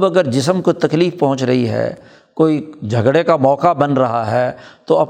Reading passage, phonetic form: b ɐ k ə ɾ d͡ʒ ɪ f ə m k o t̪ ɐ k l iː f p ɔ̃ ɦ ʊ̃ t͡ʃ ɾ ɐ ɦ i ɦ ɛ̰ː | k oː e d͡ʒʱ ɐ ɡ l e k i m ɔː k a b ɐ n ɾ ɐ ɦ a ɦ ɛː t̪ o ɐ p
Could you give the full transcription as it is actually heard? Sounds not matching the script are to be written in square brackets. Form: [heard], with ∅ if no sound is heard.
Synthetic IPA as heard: b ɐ [ɡ] ə ɾ d͡ʒ ɪ [s] ə m k o t̪ ɐ k l iː f p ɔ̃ ɦ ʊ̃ t͡ʃ ɾ ɐ ɦ i ɦ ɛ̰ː | k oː [i] d͡ʒʱ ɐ ɡ [ɽ] e k [a] m ɔː k a b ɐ n ɾ ɐ ɦ a ɦ ɛː t̪ o ɐ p